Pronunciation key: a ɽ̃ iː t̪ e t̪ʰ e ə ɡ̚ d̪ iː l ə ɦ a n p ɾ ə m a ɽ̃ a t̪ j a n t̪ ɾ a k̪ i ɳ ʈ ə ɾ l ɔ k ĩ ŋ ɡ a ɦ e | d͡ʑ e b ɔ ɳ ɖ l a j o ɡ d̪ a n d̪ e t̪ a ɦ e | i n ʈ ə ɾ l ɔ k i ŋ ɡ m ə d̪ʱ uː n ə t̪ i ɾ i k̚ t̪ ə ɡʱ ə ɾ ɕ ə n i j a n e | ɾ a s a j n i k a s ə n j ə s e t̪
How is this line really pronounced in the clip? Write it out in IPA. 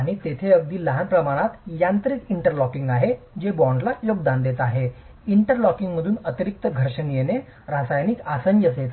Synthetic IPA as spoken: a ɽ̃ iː t̪ e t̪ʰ e ə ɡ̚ d̪ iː l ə ɦ a n p ɾ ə m a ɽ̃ a t̪ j a n t̪ ɾ i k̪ i ɳ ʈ ə ɾ l ɔ k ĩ ŋ ɡ a ɦ e | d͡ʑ e b ɔ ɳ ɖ l a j o ɡ d̪ a n d̪ e t̪ a ɦ e | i ɳ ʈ ə ɾ l ɔ k i ŋ ɡ m ə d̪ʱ uː n ə t̪ i ɾ i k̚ t̪ ə ɡʱ ə ɾ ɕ ə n i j e n e | ɾ a s a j n i k a s ə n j ə s e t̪